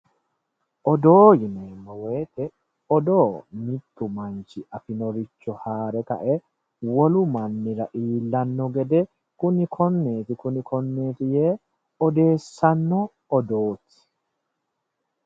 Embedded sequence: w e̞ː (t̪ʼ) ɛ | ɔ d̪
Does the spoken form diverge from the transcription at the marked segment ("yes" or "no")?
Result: yes